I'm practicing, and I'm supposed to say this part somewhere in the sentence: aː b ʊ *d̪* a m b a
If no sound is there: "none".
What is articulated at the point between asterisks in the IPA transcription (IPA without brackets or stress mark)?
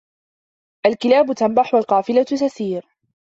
t̪